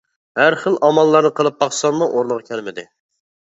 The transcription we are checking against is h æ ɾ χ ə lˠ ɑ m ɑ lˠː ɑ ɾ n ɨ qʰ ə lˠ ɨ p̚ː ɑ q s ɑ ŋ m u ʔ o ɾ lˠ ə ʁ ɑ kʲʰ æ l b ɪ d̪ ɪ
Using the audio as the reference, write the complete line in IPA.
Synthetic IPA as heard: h æ ɾ χ ə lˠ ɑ m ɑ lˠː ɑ ɾ n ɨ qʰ ə lˠ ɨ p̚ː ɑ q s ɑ n m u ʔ o ɾ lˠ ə ʁ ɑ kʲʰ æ l m ɪ d̪ ɪ